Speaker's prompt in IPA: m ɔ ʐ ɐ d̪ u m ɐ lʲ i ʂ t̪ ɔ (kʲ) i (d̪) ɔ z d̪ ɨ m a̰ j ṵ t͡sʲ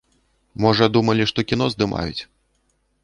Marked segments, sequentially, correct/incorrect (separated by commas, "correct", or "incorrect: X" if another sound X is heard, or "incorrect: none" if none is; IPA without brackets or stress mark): correct, incorrect: n̪